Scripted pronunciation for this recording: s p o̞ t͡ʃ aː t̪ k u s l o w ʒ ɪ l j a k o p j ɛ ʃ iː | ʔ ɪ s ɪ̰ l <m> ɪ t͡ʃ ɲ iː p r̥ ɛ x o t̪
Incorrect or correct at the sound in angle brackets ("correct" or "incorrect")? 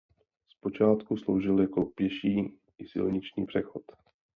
incorrect